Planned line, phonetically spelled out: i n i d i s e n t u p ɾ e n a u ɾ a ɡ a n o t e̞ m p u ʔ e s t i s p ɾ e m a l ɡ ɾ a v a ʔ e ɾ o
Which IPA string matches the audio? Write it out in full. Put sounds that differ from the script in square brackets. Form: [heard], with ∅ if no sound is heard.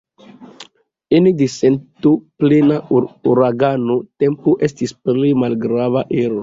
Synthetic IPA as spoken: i n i d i s e n t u p [l] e n a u ɾ a ɡ a n o t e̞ m p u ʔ e s t i s p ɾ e m a l ɡ ɾ a v a ʔ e ɾ o